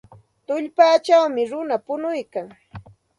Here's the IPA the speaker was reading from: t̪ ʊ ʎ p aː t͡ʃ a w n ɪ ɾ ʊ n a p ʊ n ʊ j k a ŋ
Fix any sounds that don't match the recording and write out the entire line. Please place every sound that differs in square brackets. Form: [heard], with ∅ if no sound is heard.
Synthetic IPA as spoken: t̪ ʊ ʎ p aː t͡ʃ a w [m] ɪ ɾ ʊ n a p ʊ n ʊ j k a ŋ